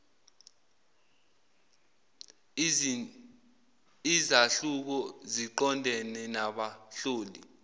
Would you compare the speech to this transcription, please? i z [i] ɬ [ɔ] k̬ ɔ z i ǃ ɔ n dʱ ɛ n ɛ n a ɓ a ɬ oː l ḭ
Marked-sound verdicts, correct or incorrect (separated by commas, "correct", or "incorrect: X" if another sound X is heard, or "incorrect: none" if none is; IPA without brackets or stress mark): incorrect: a, incorrect: u